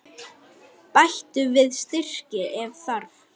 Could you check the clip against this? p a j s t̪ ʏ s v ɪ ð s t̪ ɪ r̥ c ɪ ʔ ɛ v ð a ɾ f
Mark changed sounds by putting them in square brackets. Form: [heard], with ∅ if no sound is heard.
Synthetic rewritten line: p a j [h] t̪ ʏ [∅] v ɪ ð s t̪ ɪ r̥ c ɪ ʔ ɛ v [θ] a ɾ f